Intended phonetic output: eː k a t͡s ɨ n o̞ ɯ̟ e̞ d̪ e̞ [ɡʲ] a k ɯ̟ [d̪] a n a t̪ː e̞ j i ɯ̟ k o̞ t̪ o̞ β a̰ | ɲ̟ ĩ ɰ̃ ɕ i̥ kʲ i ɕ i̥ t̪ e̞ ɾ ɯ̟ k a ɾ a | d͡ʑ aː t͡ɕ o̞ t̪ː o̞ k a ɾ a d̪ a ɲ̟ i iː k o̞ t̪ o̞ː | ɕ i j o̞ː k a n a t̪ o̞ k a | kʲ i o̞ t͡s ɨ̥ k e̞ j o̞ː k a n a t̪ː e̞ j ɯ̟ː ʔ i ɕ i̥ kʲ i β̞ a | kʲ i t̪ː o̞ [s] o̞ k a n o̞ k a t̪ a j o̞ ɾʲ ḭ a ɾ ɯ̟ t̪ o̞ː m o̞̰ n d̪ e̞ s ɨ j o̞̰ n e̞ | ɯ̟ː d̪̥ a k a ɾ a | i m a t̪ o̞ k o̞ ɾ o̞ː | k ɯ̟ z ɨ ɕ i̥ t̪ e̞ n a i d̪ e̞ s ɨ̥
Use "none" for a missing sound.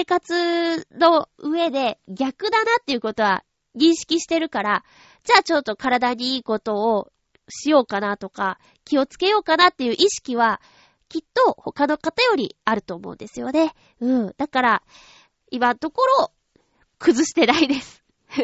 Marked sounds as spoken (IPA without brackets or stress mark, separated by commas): ɡʲ, d̪, h